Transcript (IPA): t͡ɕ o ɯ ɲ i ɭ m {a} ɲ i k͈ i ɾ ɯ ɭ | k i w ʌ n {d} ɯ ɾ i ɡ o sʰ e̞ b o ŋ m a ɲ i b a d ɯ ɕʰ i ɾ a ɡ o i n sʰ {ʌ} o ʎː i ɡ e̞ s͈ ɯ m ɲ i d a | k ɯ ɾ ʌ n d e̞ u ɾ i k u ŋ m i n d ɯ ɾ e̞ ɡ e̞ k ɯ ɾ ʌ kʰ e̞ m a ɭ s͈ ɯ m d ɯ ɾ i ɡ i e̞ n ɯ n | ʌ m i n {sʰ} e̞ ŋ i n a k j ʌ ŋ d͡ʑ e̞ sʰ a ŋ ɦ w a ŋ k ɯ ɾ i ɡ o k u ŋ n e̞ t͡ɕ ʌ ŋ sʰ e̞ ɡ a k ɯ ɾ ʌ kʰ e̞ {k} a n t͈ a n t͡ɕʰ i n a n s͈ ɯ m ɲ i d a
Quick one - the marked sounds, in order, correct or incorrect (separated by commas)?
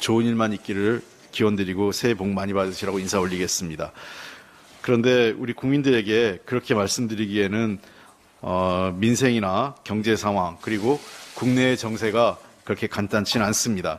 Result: correct, correct, incorrect, correct, correct